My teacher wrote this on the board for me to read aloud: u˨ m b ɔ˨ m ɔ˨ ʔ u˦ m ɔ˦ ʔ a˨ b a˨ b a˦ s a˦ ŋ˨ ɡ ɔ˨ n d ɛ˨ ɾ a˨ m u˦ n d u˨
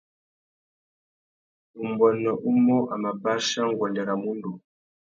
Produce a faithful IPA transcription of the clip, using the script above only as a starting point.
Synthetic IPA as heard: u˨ m b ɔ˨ n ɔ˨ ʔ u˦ m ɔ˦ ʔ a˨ m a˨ b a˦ ʃ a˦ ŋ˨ ɡ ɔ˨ n d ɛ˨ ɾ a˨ m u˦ n d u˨